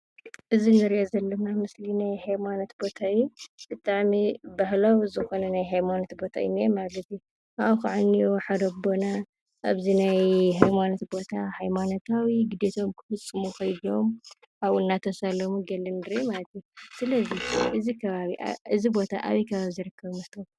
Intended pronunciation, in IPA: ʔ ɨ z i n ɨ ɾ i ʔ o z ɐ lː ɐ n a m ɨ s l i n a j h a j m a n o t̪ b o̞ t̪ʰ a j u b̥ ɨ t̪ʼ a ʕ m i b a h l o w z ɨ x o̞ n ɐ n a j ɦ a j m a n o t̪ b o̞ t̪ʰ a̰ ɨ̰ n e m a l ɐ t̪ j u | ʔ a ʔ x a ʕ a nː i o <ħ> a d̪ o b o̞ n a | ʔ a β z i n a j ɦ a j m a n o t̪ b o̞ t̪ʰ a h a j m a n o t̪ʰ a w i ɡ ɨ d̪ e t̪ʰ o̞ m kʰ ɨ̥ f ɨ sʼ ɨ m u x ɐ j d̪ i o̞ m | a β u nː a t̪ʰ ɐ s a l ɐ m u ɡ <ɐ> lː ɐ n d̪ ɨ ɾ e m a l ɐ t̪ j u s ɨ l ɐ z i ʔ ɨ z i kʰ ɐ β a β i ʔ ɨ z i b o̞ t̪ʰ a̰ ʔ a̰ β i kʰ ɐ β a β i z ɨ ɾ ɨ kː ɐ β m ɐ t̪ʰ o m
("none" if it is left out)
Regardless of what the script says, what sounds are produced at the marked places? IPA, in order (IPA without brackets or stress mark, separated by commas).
ħ, ɐ